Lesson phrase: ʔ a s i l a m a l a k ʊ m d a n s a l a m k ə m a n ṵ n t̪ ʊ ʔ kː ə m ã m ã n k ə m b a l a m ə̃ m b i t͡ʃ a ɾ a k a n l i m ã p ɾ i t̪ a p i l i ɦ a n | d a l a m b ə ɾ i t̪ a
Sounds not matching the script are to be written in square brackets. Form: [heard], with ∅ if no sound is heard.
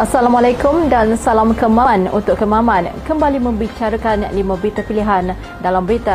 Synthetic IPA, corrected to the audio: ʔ a s [a] l a m a l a k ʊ m d a n s a l a m k ə m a n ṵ n t̪ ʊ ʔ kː ə m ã m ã n k ə m b a l [i] m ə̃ m b i t͡ʃ a ɾ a k a n l i m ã [b] ɾ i t̪ a p i l i ɦ a n | d a l a m b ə ɾ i t̪ a